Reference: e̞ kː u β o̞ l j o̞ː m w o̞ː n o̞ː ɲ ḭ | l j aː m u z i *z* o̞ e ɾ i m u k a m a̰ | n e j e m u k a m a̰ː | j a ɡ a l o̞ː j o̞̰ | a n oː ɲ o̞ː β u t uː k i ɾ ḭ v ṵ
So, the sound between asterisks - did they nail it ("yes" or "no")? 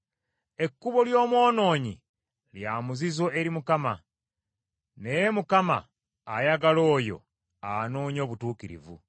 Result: yes